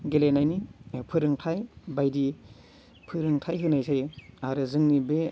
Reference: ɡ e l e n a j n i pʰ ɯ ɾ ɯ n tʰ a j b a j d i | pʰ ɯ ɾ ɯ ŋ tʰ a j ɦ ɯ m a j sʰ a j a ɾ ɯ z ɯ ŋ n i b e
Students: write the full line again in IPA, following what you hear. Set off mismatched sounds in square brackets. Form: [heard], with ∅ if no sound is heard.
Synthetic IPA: ɡ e l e n a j n i pʰ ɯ ɾ ɯ [ŋ] tʰ a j b a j d i | pʰ ɯ ɾ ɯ ŋ tʰ a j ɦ ɯ [n] a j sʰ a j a ɾ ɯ z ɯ ŋ n i b e

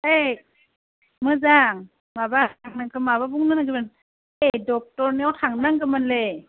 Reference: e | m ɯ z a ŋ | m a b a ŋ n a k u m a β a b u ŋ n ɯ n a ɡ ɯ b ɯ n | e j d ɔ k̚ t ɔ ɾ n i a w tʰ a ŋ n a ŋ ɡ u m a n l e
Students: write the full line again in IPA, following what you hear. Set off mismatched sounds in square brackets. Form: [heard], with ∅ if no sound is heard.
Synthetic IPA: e | m ɯ z a ŋ | m a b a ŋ n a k [ɯ] m a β a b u ŋ n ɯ n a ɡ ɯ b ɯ n | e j d ɔ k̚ t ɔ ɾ n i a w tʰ a ŋ n a ŋ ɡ [ɯ] m a n l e

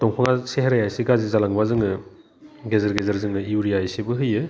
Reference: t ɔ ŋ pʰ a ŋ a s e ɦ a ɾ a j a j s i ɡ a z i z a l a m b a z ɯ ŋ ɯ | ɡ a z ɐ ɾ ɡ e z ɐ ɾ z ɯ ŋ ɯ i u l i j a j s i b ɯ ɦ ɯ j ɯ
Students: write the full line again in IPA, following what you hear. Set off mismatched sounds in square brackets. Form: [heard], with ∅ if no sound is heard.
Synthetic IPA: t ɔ ŋ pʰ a ŋ a s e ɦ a ɾ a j a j s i ɡ a z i z a l a [ŋ] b a z ɯ ŋ ɯ | ɡ [e] z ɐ ɾ ɡ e z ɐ ɾ z ɯ ŋ ɯ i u [ɾ] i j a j s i b ɯ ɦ ɯ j ɯ

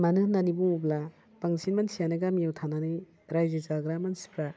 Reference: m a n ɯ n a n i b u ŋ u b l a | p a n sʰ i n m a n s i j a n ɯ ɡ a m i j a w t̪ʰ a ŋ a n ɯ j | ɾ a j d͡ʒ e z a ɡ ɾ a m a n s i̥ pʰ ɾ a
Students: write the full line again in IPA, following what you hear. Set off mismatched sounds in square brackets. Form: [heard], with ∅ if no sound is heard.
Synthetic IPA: m a n ɯ n a n i b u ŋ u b l a | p a [ŋ] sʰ i n m a n s i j a n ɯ ɡ a m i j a w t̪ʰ a [n] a n ɯ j | ɾ a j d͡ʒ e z a ɡ ɾ a m a n s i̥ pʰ ɾ a

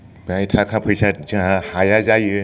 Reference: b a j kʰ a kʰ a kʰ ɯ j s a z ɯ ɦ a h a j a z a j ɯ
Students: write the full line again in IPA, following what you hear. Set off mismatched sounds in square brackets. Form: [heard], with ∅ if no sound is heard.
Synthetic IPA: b a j [tʰ] a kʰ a [pʰ] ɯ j s a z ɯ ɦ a h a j a z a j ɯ

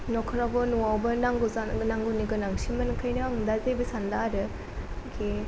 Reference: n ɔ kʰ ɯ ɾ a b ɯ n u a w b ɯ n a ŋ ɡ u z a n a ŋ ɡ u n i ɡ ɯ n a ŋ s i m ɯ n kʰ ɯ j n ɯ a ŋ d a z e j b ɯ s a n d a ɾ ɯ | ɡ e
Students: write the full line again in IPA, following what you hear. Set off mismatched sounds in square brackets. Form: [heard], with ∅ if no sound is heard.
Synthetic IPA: n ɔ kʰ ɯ ɾ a b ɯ n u a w b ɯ n a ŋ ɡ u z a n a ŋ ɡ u n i ɡ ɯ n a ŋ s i m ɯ n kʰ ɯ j n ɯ a ŋ d a z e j b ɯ s a n d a ɾ ɯ | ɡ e

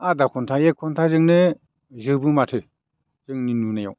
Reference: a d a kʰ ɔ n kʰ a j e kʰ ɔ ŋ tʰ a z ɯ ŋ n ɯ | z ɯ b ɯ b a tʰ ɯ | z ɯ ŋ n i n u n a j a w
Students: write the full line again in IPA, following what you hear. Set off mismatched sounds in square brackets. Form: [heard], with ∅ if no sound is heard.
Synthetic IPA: a d a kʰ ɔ n [tʰ] a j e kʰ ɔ [n] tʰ a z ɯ ŋ n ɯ | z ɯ b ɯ [m] a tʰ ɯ | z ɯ ŋ n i n u n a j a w

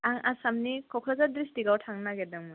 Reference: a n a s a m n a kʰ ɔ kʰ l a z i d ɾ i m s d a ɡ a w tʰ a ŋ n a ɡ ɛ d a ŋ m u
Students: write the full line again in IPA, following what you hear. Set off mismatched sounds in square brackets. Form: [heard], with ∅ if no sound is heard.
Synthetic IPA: a [ŋ] a s a m n [i] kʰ ɔ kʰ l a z [a] d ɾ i [∅] s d [i] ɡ a w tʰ a ŋ n a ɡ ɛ d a ŋ m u

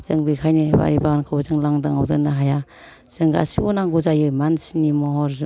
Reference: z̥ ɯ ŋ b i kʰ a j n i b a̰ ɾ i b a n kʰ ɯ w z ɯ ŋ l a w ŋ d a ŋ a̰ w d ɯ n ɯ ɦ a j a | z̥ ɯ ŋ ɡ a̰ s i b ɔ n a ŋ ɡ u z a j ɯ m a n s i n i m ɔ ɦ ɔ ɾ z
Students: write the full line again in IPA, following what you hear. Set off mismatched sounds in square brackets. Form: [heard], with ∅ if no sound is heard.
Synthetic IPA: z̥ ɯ ŋ b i kʰ a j n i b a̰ ɾ i b a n kʰ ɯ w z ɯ ŋ l a [∅] ŋ d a ŋ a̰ w d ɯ n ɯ ɦ a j a | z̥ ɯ ŋ ɡ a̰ s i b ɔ n a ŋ ɡ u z a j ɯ m a n s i n i m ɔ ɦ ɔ ɾ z

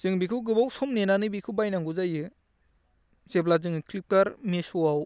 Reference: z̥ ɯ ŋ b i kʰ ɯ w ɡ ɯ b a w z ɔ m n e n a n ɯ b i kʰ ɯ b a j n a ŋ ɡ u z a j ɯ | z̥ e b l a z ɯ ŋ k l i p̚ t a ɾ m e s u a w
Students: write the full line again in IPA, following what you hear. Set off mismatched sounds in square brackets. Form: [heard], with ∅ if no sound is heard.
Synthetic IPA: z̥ ɯ ŋ b i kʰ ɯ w ɡ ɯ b a w [s] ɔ m n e n a n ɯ b i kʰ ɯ b a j n a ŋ ɡ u z a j ɯ | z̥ e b l a z ɯ ŋ k l i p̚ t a ɾ m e s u a w

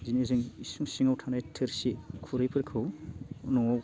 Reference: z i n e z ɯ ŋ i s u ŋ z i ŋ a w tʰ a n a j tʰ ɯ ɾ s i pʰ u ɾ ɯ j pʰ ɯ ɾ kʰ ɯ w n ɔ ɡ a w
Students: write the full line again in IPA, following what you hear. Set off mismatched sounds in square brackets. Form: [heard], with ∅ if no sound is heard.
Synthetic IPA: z i n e z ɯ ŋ i s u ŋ [s] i ŋ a w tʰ a n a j tʰ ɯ ɾ s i [kʰ] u ɾ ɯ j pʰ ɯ ɾ kʰ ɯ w n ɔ [ŋ] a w

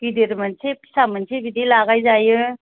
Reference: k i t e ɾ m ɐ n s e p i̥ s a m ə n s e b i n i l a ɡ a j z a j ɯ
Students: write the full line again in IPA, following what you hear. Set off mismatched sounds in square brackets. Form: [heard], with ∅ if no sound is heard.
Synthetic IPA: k i [d] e ɾ m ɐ n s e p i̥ s a m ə n s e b i [d] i l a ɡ a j z a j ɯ

